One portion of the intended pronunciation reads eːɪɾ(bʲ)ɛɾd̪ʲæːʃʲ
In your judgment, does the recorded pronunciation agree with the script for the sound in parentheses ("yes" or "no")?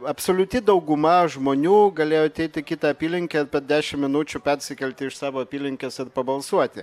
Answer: no